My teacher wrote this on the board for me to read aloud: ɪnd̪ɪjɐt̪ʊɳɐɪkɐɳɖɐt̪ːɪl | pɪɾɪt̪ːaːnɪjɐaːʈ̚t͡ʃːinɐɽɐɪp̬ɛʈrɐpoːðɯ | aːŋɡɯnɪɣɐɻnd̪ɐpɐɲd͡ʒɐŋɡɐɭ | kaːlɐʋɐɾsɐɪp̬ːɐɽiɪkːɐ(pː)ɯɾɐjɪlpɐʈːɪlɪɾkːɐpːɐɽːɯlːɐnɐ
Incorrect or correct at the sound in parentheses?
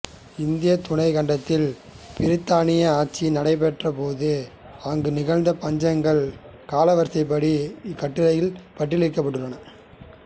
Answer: incorrect: ʈː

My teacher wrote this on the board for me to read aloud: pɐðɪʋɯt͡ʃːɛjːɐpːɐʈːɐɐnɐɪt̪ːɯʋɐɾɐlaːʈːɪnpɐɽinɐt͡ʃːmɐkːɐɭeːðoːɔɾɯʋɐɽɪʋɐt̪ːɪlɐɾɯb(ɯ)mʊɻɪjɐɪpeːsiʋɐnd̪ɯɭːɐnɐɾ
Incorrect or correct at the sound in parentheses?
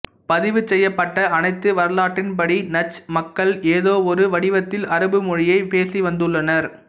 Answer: correct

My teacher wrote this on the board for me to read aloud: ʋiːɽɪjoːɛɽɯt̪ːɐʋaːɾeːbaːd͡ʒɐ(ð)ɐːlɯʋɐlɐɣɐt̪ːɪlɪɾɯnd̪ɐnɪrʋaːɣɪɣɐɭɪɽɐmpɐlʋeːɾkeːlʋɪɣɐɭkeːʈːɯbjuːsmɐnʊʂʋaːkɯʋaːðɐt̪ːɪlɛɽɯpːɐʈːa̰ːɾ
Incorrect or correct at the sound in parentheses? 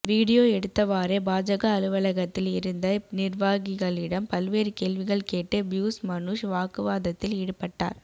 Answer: incorrect: ɣ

